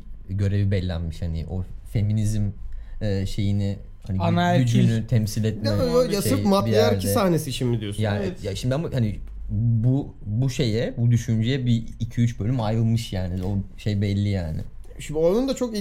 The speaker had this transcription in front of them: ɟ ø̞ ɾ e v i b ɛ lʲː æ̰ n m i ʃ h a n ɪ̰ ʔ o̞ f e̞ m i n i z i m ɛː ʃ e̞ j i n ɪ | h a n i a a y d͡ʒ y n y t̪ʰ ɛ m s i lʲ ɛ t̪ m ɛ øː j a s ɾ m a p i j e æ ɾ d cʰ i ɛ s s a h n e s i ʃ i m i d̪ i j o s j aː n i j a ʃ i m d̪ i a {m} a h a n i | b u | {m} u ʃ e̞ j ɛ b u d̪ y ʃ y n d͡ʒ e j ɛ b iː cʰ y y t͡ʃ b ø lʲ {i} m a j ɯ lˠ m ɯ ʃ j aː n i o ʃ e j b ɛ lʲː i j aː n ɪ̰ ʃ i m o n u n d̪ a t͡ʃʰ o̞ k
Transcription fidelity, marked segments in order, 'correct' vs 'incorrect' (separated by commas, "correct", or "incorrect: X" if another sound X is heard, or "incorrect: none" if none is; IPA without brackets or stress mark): correct, incorrect: b, incorrect: y